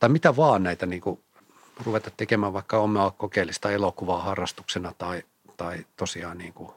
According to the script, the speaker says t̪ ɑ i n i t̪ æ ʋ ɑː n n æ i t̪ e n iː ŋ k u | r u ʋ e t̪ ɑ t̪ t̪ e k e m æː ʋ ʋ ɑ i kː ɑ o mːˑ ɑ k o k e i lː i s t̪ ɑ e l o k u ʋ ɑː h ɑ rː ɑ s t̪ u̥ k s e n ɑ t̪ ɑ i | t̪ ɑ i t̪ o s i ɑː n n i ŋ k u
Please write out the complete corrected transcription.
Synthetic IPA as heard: t̪ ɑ i m i t̪ æ ʋ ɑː n n æ i t̪ æ n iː ŋ k u | r u ʋ e t̪ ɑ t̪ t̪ e k e m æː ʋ ʋ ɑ i kː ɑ o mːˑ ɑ k o k e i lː i s t̪ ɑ e l o k u ʋ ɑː h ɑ rː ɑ s t̪ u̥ k s e n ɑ t̪ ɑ i | t̪ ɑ i t̪ o s i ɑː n n iː ŋ k u